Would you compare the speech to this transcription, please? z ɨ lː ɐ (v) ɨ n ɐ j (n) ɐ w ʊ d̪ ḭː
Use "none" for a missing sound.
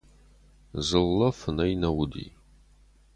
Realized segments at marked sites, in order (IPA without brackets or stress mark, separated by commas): f, n